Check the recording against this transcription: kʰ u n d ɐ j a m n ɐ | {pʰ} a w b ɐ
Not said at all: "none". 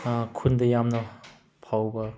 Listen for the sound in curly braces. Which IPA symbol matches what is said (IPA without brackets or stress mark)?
pʰ